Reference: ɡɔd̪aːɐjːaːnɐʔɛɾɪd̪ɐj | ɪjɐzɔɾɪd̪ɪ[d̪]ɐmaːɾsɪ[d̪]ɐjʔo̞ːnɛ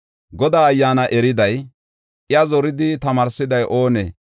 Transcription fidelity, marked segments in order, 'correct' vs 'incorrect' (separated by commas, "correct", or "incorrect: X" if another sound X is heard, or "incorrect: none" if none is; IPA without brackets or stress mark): incorrect: t̪, correct